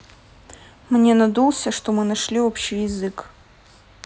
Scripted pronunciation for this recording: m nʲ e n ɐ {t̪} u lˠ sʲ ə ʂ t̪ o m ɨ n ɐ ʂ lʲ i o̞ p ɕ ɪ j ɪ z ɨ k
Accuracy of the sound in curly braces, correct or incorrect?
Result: incorrect